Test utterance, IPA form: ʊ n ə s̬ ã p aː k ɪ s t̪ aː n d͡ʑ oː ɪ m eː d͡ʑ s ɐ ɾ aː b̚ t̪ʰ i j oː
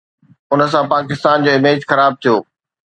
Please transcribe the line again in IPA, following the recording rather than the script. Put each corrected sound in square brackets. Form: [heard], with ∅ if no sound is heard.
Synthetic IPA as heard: ʊ n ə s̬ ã p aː k ɪ s t̪ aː n d͡ʑ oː ɪ m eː d͡ʑ [x] ɐ ɾ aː b̚ t̪ʰ i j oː